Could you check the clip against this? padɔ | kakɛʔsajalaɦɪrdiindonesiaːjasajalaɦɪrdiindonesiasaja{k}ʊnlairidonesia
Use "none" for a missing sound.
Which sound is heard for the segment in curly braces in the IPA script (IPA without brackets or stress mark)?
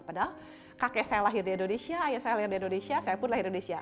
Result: p